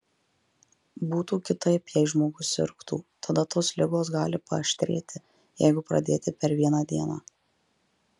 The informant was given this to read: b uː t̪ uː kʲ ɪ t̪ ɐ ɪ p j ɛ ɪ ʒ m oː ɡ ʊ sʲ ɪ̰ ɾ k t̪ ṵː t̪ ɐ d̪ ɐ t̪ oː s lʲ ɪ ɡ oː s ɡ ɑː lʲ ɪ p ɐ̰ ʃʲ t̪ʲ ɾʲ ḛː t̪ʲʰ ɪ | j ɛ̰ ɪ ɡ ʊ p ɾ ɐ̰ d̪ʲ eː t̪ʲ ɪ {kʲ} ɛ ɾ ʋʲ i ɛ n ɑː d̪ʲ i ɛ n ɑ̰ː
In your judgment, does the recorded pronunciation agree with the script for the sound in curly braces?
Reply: no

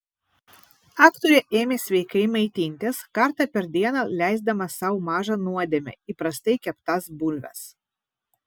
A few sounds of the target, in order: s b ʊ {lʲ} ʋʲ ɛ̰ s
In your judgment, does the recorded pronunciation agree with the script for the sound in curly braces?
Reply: yes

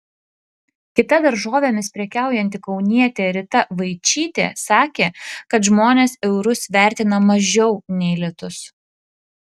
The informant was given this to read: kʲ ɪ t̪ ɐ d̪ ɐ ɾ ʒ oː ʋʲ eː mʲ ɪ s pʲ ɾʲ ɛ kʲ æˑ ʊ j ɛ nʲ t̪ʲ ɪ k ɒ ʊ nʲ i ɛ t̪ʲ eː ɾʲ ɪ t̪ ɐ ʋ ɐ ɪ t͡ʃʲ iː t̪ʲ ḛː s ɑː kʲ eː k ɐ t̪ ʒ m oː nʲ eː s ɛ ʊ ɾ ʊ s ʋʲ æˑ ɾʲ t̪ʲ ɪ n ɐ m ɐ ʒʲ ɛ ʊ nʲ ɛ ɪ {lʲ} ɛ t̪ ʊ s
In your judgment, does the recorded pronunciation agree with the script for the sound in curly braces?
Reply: yes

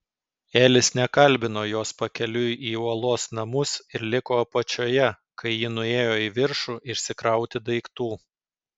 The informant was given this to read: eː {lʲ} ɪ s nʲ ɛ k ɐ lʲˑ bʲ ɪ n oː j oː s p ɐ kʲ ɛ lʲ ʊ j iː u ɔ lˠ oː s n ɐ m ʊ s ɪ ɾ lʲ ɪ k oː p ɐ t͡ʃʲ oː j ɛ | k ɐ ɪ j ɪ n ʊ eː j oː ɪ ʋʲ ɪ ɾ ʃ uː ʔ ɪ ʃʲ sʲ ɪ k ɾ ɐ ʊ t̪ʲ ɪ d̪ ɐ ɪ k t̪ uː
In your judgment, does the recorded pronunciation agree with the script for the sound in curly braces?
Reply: yes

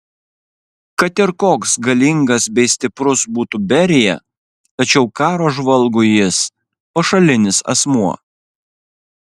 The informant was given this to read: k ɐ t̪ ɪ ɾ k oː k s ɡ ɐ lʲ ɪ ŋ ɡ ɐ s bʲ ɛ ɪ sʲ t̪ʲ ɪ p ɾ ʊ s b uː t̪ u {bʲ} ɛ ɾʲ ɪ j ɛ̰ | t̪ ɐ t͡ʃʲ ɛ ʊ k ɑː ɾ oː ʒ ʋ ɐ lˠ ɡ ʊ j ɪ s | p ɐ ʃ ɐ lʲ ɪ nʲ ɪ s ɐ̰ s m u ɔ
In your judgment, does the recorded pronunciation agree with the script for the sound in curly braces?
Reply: yes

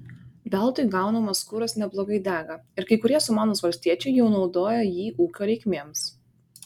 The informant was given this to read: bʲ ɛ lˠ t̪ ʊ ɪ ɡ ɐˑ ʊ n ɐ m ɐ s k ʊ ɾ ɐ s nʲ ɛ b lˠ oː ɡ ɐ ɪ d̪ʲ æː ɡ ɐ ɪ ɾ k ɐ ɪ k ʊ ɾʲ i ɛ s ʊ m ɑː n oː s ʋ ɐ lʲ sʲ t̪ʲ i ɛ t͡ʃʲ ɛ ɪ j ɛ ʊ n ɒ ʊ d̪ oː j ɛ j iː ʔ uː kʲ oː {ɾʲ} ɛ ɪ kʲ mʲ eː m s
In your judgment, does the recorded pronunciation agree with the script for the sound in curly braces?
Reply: yes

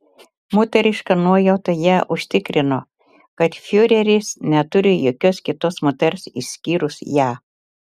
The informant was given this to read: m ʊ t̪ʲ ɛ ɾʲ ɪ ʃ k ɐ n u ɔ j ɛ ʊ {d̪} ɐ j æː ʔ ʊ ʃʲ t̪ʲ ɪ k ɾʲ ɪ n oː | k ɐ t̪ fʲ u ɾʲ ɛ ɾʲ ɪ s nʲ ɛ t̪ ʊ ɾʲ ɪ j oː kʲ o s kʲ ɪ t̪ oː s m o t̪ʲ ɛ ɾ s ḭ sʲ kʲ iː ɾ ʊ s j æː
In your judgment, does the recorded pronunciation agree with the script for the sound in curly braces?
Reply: no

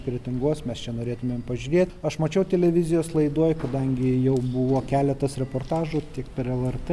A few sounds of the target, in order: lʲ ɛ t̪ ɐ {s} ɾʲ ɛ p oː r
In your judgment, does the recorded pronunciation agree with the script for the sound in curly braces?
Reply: yes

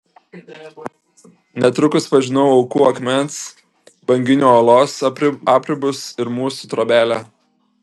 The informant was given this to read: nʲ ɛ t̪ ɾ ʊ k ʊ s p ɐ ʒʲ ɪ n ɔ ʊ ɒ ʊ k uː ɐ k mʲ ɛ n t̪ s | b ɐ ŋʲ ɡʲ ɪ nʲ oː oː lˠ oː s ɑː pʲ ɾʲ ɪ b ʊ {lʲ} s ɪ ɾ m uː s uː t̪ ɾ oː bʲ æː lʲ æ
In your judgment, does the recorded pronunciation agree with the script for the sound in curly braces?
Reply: no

